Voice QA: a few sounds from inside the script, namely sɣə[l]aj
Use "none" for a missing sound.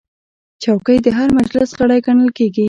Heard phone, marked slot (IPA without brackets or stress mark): ɽ